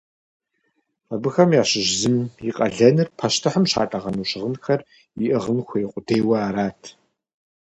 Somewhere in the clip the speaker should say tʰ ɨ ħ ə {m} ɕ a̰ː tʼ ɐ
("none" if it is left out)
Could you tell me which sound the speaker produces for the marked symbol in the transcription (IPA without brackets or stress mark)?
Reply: m